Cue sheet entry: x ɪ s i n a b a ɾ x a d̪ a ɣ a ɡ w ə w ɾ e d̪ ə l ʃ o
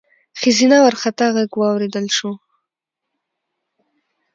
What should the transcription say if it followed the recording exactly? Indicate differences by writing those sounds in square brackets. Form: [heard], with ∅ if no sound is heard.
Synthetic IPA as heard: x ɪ [z] i n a [w] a ɾ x a [t̪] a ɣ a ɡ w [ɑ] w ɾ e d̪ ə l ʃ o